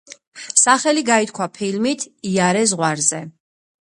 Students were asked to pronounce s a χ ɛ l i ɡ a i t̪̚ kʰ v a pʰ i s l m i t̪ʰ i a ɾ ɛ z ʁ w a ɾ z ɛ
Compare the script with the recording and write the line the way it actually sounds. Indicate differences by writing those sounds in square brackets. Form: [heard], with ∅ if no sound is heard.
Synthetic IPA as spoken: s a χ ɛ l i ɡ a i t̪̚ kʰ [w] a pʰ i [∅] l m i t̪ʰ i a ɾ ɛ z ʁ w a ɾ z ɛ